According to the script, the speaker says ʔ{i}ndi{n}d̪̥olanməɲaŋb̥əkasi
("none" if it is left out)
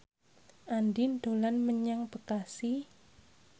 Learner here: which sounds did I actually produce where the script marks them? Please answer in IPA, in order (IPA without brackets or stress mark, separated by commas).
a, n